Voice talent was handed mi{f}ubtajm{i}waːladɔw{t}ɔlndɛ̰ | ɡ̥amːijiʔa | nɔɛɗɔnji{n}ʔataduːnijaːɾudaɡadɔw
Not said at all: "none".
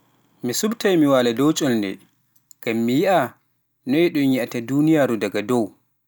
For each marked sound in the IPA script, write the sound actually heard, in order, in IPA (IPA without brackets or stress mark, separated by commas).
s, i, t͡ʃʼ, none